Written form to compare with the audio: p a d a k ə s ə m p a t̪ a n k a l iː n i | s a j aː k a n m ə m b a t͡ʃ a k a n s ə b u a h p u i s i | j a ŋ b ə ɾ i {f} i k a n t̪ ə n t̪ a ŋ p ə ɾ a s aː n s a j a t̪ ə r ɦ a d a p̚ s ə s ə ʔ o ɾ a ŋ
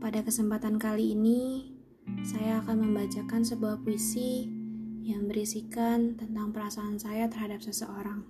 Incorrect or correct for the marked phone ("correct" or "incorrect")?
incorrect